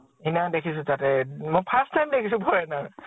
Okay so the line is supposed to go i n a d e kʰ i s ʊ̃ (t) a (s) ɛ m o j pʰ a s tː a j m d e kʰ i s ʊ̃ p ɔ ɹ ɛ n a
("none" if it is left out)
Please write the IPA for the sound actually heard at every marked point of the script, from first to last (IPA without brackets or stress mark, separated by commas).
t, t